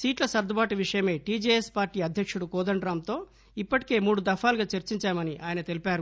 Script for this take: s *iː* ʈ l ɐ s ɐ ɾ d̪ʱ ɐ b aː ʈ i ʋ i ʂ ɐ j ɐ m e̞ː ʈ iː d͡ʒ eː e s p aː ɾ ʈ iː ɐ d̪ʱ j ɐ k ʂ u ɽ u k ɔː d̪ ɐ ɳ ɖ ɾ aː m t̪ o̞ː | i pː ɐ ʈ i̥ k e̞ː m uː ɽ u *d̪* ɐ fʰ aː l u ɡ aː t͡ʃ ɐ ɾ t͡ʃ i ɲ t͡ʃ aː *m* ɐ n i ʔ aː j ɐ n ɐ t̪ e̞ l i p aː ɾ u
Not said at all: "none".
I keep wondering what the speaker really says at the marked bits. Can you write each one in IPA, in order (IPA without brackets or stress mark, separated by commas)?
iː, d̪, m